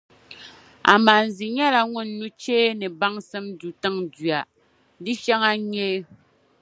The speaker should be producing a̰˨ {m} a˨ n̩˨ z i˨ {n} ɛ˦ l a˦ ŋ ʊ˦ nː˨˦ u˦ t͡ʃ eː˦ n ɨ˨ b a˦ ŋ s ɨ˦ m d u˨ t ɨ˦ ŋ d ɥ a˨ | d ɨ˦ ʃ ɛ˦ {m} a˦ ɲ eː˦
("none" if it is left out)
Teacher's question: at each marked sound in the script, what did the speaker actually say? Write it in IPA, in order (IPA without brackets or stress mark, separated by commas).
m, ɲ, ŋ